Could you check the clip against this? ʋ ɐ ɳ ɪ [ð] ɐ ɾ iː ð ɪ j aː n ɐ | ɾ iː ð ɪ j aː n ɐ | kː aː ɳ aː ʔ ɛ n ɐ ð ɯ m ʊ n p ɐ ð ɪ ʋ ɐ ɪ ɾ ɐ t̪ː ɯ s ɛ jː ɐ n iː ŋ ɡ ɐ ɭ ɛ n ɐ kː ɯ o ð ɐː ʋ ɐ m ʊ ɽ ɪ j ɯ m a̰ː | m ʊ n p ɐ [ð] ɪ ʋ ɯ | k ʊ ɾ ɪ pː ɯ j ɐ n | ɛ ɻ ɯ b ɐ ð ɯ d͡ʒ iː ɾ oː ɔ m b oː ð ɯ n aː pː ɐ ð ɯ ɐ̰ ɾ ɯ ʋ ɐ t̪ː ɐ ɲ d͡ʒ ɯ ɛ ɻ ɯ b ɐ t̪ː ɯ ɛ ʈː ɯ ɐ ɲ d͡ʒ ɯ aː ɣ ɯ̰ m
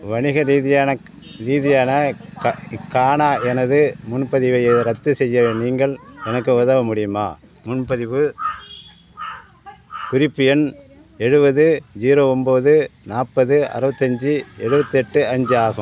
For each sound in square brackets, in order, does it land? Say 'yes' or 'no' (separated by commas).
no, yes